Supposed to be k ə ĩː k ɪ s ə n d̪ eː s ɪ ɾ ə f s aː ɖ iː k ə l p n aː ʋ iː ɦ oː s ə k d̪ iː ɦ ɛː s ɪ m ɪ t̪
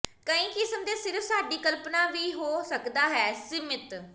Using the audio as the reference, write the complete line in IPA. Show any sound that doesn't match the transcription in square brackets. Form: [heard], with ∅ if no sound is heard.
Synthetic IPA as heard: k ə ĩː k ɪ s ə [m] d̪ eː s ɪ ɾ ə f s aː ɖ iː k ə l p n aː ʋ iː ɦ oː s ə k d̪ [aː] ɦ ɛː s ɪ m ɪ t̪